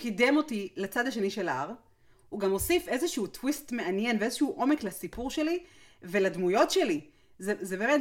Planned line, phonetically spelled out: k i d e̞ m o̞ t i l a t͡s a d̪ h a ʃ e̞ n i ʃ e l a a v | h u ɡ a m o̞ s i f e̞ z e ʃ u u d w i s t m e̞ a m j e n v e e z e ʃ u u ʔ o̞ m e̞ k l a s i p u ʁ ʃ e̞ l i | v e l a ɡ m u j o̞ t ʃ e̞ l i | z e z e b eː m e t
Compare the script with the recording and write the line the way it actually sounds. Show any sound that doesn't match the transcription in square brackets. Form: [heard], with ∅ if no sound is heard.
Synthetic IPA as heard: k i d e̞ m o̞ t i l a t͡s a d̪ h a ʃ e̞ n i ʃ e l a a [ʁ] | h u ɡ a m o̞ s i f e̞ z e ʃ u u [t] w i s t m e̞ a [n] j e n v e e z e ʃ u u ʔ o̞ m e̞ k l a s i p u ʁ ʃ e̞ l i | v e l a [d] m u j o̞ t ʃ e̞ l i | z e z e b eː m e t